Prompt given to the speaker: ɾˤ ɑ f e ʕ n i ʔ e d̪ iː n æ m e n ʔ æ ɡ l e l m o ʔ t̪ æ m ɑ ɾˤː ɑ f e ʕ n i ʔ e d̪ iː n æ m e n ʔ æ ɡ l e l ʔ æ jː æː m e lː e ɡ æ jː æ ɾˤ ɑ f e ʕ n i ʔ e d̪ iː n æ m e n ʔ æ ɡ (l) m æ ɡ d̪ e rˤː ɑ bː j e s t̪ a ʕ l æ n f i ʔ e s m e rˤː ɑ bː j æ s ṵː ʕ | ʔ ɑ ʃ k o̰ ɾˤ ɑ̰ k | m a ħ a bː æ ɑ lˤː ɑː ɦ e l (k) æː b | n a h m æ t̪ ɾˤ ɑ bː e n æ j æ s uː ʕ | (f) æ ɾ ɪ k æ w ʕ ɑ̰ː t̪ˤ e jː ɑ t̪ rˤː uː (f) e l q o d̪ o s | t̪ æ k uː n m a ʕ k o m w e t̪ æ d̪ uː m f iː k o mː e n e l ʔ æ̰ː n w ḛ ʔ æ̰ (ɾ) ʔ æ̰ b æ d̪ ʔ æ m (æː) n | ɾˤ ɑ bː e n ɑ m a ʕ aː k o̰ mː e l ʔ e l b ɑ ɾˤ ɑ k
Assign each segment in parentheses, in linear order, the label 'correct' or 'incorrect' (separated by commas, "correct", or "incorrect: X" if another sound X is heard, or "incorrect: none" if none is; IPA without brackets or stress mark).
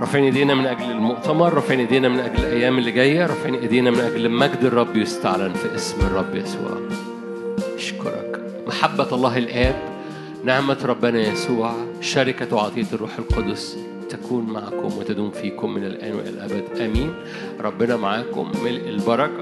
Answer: correct, incorrect: ʔ, incorrect: ʃ, incorrect: ħ, incorrect: l, incorrect: iː